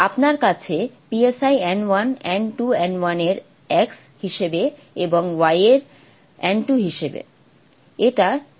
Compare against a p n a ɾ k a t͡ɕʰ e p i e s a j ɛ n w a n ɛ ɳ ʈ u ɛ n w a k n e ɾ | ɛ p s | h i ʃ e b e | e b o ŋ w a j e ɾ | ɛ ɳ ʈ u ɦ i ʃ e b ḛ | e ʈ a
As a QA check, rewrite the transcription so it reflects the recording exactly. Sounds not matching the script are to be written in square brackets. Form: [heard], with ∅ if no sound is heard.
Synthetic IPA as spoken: a p n a ɾ k a t͡ɕʰ e p i e s a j ɛ n w a n ɛ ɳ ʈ u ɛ n w a [∅] n e ɾ | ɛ [k] s | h i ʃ e b e | e b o ŋ w a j e ɾ | ɛ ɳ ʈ u ɦ i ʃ e b ḛ | e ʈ a